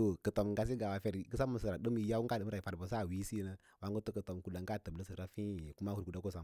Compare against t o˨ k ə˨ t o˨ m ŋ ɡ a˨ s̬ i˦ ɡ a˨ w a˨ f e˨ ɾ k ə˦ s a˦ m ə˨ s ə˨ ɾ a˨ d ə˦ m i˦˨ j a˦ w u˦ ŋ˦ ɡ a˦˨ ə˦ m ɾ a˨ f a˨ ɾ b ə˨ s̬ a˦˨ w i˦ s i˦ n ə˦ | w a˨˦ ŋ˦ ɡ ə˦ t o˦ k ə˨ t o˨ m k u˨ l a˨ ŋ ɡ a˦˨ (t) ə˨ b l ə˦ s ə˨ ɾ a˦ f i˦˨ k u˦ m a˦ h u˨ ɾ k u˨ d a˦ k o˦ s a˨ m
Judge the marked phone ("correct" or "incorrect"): correct